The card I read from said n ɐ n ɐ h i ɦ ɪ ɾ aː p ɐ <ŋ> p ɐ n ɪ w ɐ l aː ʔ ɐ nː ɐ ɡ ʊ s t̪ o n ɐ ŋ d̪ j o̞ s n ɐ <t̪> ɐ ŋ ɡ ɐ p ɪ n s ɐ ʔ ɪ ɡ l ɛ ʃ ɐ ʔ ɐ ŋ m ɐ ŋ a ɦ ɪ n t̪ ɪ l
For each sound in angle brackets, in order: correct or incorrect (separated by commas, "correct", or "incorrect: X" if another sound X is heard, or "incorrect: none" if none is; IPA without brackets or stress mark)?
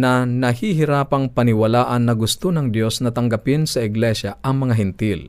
correct, correct